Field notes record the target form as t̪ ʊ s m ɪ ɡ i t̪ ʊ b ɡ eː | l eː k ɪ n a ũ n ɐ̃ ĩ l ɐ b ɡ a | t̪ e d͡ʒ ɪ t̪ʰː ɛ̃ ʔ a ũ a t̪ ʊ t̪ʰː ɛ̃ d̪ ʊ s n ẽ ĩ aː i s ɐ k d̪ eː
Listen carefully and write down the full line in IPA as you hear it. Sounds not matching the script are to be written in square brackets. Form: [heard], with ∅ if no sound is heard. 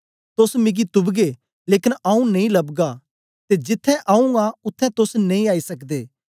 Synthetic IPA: t̪ ʊ s m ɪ ɡ i t̪ ʊ b ɡ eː | l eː k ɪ n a ũ n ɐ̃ ĩ l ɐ b ɡ a | t̪ e d͡ʒ ɪ t̪ʰː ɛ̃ ʔ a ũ a [∅] ʊ t̪ʰː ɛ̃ [t̪] ʊ s n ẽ ĩ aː i s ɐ k d̪ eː

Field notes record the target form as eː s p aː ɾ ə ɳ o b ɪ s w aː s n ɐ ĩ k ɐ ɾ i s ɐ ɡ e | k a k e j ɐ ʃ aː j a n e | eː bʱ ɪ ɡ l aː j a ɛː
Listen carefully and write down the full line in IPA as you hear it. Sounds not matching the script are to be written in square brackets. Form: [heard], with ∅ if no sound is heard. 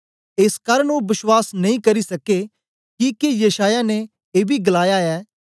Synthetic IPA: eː s [k] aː ɾ ə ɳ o b ɪ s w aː s n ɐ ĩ k ɐ ɾ i s ɐ [k] e | k [i] k e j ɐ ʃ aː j a n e | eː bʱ [i] ɡ l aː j a ɛː

